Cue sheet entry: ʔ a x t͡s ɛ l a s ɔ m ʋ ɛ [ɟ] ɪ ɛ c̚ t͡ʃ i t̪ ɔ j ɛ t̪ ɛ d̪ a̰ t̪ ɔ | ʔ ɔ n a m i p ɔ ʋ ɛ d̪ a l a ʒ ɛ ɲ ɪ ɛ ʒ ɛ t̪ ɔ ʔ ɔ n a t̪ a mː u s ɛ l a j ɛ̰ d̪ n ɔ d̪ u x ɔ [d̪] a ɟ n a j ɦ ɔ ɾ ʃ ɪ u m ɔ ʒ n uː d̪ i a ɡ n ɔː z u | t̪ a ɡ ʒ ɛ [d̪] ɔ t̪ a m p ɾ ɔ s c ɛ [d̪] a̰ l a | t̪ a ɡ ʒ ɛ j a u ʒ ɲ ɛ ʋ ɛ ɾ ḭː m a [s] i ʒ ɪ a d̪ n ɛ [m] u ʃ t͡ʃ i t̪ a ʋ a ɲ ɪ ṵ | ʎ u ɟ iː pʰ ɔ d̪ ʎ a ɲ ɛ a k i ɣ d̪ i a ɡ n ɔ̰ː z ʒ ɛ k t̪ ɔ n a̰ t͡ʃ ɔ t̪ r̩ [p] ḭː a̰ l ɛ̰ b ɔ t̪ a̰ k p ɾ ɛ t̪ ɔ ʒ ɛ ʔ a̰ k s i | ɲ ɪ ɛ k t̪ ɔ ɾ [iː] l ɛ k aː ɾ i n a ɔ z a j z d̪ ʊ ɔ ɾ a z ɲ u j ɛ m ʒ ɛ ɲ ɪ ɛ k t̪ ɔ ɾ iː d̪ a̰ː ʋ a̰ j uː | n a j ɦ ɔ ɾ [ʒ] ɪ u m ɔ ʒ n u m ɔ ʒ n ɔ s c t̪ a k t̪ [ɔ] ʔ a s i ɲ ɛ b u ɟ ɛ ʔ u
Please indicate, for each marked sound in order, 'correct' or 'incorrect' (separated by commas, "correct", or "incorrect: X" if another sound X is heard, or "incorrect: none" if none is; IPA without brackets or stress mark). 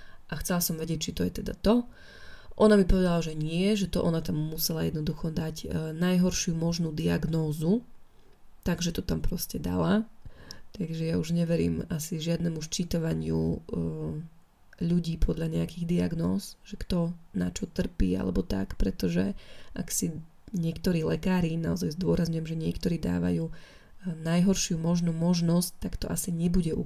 correct, correct, incorrect: t̪, correct, correct, correct, correct, correct, incorrect: ʃ, correct